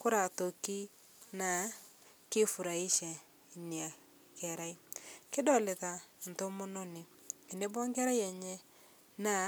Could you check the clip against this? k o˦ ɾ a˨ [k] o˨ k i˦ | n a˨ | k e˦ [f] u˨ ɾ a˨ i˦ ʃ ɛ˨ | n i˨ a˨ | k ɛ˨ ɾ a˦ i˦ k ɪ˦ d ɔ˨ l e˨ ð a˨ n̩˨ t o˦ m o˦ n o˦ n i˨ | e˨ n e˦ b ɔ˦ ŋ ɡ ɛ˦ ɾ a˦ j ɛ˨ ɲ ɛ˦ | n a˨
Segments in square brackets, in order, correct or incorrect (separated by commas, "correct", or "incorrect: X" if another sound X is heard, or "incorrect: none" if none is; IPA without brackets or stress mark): incorrect: t, correct